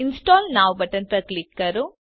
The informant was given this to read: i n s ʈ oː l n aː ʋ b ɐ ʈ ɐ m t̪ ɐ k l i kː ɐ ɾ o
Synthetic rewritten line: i n s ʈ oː l n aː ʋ b ɐ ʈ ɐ n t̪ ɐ k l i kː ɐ ɾ u